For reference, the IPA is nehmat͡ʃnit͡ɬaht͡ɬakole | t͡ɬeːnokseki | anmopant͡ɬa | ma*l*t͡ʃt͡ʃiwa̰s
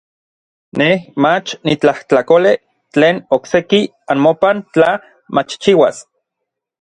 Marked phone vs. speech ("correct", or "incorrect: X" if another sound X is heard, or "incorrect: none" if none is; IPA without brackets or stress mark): incorrect: none